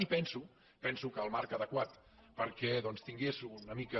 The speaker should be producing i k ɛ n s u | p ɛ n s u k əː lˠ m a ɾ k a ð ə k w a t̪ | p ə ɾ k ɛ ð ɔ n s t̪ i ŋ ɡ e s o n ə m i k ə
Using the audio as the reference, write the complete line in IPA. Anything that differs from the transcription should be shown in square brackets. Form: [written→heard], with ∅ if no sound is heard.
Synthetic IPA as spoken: i [k→p] ɛ n s u | p ɛ n s u k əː lˠ m a ɾ k [a→ə] ð ə k w a t̪ | p ə ɾ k ɛ ð ɔ n s t̪ i ŋ ɡ e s [o→u] n ə m i k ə